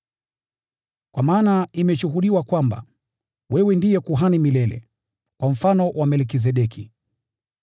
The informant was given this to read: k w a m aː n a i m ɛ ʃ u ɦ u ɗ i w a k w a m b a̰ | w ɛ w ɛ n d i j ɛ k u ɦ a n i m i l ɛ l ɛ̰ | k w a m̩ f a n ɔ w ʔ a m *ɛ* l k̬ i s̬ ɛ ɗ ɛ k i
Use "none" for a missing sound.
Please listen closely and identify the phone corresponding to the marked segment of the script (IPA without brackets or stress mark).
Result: ɛ